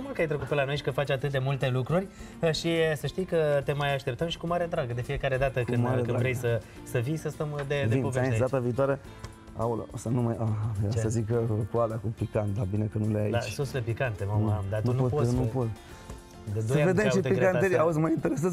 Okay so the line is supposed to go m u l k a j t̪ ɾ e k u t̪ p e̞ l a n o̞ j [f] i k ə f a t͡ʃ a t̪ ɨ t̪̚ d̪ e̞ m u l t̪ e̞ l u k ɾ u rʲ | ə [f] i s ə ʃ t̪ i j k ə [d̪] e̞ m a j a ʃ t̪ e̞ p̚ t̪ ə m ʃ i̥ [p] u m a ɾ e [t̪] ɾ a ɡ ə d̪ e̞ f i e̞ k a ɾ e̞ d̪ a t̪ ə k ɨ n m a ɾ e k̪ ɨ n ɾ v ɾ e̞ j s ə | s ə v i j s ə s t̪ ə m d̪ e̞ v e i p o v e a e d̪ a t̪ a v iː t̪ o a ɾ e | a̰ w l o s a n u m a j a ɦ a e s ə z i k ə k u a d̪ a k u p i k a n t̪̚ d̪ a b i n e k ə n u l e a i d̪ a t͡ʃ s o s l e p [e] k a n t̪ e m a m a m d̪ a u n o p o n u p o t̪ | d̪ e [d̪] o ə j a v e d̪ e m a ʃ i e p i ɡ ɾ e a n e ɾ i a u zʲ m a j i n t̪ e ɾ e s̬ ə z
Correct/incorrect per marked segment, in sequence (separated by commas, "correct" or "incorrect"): incorrect, incorrect, incorrect, incorrect, incorrect, incorrect, correct